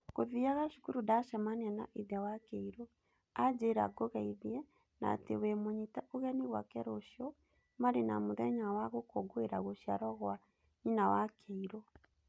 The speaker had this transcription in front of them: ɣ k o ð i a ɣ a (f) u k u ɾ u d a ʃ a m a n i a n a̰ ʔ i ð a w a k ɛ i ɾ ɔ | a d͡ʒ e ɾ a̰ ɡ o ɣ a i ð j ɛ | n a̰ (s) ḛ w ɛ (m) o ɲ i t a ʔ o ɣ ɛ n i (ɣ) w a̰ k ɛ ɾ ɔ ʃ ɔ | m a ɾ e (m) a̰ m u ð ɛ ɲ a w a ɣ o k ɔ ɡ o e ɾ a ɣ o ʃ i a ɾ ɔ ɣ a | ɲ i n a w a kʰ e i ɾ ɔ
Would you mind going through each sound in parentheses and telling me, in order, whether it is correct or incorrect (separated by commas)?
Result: incorrect, incorrect, correct, correct, incorrect